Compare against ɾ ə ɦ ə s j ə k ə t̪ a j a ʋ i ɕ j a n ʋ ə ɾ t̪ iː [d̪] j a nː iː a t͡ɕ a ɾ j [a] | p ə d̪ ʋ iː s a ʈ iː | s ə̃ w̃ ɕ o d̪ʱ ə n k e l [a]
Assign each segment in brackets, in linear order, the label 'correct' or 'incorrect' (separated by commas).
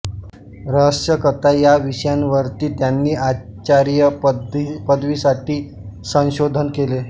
incorrect, incorrect, incorrect